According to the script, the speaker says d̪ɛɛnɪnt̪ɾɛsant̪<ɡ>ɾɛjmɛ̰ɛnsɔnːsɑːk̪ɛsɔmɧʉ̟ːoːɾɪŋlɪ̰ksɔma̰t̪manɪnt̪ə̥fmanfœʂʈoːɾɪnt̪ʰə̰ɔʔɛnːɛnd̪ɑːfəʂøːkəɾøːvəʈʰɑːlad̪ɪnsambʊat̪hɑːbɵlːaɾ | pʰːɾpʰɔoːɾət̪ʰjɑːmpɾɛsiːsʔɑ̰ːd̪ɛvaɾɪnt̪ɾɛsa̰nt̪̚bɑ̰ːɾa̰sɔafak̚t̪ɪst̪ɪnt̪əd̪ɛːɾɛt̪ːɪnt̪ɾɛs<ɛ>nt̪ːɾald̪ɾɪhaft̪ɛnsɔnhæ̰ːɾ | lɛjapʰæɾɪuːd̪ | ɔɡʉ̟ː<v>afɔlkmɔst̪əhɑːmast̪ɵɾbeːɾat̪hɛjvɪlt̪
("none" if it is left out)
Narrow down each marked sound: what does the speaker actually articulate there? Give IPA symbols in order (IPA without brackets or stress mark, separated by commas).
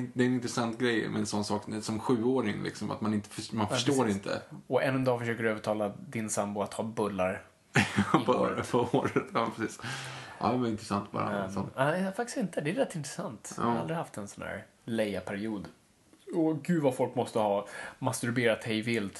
ɡ, a, v